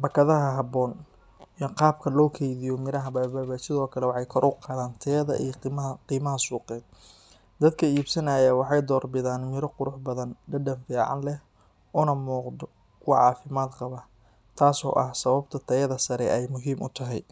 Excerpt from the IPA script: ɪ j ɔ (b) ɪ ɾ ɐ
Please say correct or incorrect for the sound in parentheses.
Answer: incorrect